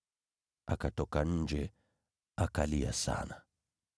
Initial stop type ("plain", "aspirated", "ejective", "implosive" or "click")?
plain